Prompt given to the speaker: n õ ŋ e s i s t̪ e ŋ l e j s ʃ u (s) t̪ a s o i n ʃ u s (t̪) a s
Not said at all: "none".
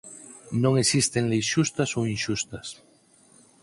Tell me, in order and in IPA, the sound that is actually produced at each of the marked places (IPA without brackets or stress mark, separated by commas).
s, t̪